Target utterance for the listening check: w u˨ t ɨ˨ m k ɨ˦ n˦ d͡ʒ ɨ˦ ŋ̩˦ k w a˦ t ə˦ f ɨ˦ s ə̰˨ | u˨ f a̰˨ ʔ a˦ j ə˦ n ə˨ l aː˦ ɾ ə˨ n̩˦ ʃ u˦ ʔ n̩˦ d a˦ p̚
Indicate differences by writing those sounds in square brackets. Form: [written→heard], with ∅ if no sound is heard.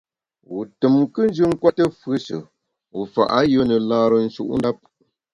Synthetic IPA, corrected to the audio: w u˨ t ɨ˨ m k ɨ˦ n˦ d͡ʒ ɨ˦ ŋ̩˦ k w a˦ t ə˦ f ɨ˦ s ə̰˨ | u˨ f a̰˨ ʔ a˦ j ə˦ n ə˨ l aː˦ ɾ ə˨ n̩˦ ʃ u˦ ʔ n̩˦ d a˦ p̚